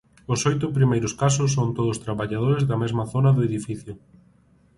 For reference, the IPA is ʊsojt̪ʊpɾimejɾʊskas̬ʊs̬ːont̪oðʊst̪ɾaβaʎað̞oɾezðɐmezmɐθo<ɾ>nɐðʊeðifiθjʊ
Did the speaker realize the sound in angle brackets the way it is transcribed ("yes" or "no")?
no